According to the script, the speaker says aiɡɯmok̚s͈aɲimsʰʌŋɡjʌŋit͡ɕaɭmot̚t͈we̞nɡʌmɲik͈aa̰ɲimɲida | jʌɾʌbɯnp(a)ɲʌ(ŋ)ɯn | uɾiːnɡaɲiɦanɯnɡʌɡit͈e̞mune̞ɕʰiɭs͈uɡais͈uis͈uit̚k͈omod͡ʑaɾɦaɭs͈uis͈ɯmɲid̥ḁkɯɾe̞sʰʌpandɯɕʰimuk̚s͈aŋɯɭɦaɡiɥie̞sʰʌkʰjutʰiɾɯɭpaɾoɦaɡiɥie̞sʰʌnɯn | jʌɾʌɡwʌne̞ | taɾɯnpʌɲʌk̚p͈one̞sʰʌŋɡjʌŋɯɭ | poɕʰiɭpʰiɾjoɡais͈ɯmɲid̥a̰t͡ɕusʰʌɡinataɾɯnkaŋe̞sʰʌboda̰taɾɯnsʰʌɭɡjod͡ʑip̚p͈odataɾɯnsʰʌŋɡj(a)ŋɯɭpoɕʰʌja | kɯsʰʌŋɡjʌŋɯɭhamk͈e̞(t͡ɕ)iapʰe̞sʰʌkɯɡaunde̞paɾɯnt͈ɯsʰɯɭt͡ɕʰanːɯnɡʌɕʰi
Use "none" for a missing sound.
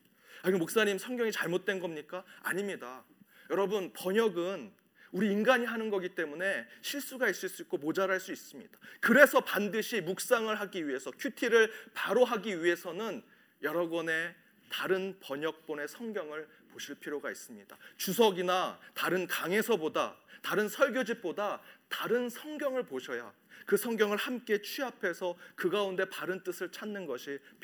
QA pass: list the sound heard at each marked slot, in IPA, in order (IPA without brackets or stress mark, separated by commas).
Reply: ʌ, ɡ, ʌ, t͡ɕʰ